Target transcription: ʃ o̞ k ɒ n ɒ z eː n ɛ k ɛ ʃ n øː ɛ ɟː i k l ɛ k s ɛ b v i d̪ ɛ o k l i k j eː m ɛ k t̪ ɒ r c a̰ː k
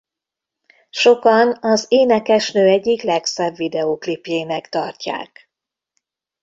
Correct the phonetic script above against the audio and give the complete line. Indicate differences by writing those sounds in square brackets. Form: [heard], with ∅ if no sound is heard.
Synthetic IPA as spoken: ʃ o̞ k ɒ n ɒ z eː n ɛ k ɛ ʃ n øː ɛ ɟː i k l ɛ k s ɛ b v i d̪ ɛ o k l i [p] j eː m ɛ k t̪ ɒ r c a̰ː k

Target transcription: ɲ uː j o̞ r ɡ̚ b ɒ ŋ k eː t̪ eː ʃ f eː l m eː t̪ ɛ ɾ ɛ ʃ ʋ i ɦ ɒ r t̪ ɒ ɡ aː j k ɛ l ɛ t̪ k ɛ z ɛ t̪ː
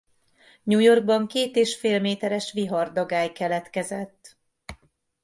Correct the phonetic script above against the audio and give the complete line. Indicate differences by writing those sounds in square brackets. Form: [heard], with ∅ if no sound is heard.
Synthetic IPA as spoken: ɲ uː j o̞ r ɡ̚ b ɒ ŋ k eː t̪ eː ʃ f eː l m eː t̪ ɛ ɾ ɛ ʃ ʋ i ɦ ɒ r [d̪] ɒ ɡ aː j k ɛ l ɛ t̪ k ɛ z ɛ t̪ː

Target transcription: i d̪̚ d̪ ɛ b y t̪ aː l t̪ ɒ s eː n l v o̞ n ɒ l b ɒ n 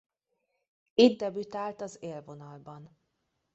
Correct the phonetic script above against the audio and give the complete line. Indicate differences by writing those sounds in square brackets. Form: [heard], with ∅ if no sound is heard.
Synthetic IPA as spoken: i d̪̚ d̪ ɛ b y t̪ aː l t̪ ɒ [z] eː [∅] l v o̞ n ɒ l b ɒ n

